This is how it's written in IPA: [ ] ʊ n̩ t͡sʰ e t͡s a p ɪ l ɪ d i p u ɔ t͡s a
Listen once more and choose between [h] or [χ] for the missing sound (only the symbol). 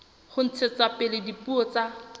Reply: χ